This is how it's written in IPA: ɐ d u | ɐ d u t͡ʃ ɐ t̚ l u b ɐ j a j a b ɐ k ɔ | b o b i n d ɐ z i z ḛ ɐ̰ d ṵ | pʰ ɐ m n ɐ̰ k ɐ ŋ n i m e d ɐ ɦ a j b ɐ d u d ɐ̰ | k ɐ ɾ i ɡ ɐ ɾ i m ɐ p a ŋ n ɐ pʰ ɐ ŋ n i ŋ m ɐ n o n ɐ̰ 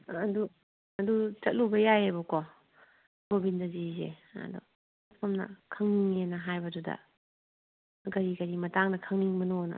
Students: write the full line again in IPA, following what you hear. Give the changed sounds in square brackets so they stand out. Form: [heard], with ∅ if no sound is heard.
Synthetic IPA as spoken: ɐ d u | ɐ d u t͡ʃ ɐ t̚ l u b ɐ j a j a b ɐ k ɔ | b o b i n d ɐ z i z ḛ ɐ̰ d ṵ | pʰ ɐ m n ɐ̰ [kʰ] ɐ ŋ n i [ŋ] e [n] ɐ ɦ a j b ɐ d u d ɐ̰ | [ɡ] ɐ ɾ i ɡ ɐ ɾ i m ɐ [t] a ŋ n ɐ [kʰ] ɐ ŋ n i ŋ m ɐ n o n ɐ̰